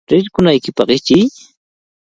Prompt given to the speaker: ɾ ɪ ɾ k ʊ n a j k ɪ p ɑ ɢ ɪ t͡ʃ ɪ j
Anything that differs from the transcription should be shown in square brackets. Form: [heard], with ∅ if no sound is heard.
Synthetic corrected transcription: ɾ ɪ ɾ k ʊ n a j k ɪ p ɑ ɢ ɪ t͡ʃ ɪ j